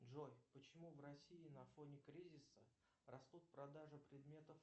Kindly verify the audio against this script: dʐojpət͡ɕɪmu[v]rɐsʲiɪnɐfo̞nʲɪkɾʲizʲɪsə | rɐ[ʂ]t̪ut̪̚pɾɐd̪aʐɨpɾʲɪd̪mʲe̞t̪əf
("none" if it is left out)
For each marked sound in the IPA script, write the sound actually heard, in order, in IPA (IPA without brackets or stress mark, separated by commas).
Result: v, s